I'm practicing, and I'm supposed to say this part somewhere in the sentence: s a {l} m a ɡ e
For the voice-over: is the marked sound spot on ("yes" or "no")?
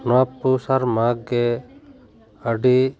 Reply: no